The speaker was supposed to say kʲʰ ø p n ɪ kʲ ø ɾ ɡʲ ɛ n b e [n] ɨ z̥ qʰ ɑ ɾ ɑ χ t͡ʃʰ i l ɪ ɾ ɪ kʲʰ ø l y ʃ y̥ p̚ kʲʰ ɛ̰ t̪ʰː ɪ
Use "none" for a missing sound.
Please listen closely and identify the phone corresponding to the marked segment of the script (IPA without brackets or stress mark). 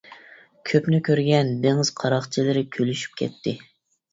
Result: ŋ